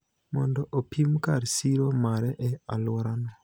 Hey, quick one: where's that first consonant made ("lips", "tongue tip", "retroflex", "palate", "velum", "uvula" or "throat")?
lips